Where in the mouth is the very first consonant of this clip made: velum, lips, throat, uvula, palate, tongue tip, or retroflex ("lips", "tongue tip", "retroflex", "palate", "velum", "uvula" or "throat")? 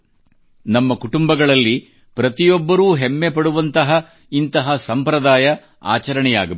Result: tongue tip